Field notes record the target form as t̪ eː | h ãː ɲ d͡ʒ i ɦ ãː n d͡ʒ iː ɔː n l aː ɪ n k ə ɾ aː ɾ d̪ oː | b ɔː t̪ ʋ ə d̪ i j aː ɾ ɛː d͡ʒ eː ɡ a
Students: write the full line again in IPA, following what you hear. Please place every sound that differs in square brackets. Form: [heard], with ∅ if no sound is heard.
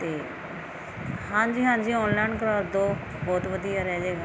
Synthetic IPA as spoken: t̪ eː | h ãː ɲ d͡ʒ [iː] ɦ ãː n d͡ʒ iː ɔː n l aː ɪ n k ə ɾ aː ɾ d̪ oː | b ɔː t̪ ʋ ə d̪ i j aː ɾ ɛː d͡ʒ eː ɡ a